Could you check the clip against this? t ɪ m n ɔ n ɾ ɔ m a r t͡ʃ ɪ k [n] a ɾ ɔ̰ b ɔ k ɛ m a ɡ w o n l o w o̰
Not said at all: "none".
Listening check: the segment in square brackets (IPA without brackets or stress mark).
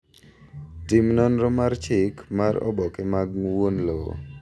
m